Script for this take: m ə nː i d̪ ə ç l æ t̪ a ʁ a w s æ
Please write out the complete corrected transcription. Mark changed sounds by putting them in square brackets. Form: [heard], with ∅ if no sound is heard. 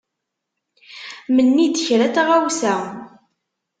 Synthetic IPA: m ə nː i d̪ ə ç [ɾ] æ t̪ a ʁ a w s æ